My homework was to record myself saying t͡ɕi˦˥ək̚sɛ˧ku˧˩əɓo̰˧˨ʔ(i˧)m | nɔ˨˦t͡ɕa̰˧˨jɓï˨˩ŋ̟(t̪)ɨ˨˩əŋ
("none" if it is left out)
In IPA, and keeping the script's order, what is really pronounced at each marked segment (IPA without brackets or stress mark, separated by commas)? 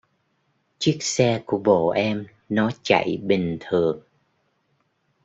ɛ˧, t̪ʰ